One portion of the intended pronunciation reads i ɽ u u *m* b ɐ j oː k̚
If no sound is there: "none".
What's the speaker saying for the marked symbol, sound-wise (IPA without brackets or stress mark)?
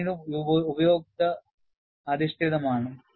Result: none